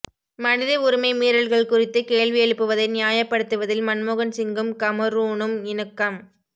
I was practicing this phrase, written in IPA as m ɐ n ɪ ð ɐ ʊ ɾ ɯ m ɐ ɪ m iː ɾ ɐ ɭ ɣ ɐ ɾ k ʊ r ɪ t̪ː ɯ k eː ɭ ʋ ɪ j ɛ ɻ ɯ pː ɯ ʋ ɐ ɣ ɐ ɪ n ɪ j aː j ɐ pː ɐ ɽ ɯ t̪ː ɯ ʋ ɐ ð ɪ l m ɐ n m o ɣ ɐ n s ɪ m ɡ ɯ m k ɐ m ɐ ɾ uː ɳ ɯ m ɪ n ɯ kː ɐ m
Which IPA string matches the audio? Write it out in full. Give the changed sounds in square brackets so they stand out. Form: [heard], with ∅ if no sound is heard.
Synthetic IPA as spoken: m ɐ n ɪ ð ɐ ʊ ɾ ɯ m ɐ ɪ m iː ɾ ɐ ɭ ɣ ɐ [ɭ] k ʊ r ɪ t̪ː ɯ k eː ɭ ʋ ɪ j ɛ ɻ ɯ pː ɯ ʋ ɐ [ð] ɐ ɪ n ɪ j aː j ɐ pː ɐ ɽ ɯ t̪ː ɯ ʋ ɐ ð ɪ l m ɐ n m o ɣ ɐ n s ɪ [ŋ] ɡ ɯ m k ɐ m ɐ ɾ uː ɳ ɯ m ɪ n ɯ kː ɐ m

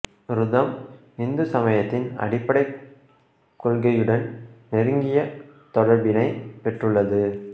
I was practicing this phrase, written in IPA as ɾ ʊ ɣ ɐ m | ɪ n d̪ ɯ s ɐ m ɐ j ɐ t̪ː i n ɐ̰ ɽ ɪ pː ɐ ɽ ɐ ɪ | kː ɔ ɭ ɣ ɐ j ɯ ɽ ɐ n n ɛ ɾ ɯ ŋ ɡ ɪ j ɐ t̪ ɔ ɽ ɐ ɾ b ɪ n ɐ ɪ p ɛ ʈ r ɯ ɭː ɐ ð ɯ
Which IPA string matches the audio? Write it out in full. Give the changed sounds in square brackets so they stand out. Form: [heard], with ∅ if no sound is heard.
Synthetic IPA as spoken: ɾ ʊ [ð] ɐ m | ɪ n d̪ ɯ s ɐ m ɐ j ɐ t̪ː [ɪ] n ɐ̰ ɽ ɪ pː ɐ ɽ ɐ ɪ | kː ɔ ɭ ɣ ɐ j ɯ ɽ ɐ n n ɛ ɾ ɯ ŋ ɡ ɪ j ɐ t̪ ɔ ɽ ɐ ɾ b ɪ n ɐ ɪ p ɛ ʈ r ɯ ɭː ɐ ð ɯ

